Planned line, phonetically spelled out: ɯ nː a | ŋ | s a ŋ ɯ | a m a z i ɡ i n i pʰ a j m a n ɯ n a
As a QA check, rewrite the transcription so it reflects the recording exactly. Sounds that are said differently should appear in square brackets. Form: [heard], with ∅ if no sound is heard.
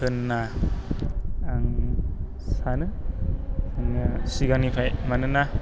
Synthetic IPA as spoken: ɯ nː a | ŋ | s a [n] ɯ | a [ŋ] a [s] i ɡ [a] n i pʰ a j m a n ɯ n a